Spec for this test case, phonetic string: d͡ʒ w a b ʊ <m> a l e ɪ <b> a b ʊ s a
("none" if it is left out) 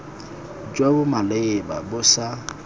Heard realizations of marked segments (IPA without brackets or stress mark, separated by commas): m, b